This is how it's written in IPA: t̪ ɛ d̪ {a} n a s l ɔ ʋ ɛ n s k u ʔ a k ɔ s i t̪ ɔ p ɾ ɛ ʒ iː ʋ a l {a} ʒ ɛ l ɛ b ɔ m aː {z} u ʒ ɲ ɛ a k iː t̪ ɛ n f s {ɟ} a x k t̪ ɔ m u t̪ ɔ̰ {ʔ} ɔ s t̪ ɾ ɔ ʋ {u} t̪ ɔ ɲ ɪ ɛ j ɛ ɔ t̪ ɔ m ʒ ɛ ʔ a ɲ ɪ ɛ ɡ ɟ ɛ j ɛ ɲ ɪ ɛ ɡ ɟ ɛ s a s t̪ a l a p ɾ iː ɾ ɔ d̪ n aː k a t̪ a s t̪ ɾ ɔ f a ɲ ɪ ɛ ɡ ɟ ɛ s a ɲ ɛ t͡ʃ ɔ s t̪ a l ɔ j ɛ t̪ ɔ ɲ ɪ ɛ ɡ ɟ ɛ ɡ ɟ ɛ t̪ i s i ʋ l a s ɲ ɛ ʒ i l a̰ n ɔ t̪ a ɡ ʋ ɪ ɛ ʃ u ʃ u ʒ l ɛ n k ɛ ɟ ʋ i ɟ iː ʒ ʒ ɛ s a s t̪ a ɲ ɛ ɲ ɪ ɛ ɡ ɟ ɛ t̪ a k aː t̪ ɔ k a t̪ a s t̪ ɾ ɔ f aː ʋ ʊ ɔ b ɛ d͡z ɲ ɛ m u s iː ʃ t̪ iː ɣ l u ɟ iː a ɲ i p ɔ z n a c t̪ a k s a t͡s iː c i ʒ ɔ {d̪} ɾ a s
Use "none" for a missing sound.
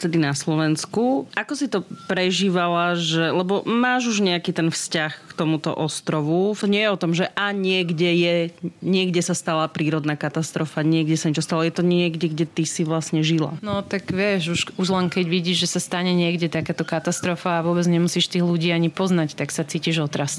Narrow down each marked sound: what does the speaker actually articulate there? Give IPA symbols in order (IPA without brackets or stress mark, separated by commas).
i, a, ʒ, c, ʔ, u, t̪